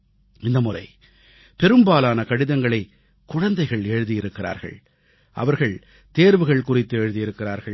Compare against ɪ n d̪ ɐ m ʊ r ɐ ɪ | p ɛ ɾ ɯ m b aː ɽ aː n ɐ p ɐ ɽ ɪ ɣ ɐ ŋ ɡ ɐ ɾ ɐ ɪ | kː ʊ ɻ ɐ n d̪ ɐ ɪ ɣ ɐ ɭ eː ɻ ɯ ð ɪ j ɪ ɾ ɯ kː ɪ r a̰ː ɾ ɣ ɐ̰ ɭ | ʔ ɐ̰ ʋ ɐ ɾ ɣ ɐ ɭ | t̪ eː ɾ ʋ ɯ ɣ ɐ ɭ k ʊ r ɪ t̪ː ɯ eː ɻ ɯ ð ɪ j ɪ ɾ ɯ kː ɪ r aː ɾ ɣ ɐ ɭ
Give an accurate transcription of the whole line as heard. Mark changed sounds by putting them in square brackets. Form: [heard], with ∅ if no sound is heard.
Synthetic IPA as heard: ɪ n d̪ ɐ m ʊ r ɐ ɪ | p ɛ ɾ ɯ m b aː [l] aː n ɐ [k] ɐ ɽ ɪ [ð] ɐ ŋ ɡ ɐ [ɭ] ɐ ɪ | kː ʊ ɻ ɐ n d̪ ɐ ɪ ɣ ɐ ɭ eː ɻ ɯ ð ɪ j ɪ ɾ ɯ kː ɪ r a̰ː ɾ ɣ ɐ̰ ɭ | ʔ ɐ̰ ʋ ɐ ɾ ɣ ɐ ɭ | t̪ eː ɾ ʋ ɯ ɣ ɐ ɭ k ʊ r ɪ t̪ː ɯ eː ɻ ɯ ð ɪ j ɪ ɾ ɯ kː ɪ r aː ɾ ɣ ɐ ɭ